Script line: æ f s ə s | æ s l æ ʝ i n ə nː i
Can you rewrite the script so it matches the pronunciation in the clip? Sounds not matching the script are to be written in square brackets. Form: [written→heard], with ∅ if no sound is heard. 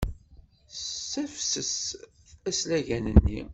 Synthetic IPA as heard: æ f s ə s | æ s l æ ʝ [i→æ] n ə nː i